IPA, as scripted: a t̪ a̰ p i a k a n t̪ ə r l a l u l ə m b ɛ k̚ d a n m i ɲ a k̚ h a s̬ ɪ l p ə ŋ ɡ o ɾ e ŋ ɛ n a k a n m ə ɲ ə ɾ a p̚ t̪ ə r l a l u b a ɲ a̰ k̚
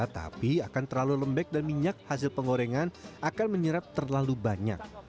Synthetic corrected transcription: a t̪ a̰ p i a k a n t̪ ə r l a l u l ə m b ɛ k̚ d a n m i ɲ a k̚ h a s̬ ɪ l p ə ŋ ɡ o ɾ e ŋ a n a k a n m ə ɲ ə ɾ a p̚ t̪ ə r l a l u b a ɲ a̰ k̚